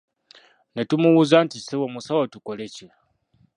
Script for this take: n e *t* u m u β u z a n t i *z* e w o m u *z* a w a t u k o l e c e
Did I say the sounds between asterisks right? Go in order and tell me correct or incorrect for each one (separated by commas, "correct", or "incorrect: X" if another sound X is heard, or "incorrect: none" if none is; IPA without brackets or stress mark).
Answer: correct, incorrect: s, incorrect: s